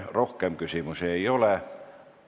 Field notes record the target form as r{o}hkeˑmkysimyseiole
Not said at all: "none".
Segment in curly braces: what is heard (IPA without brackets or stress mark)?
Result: o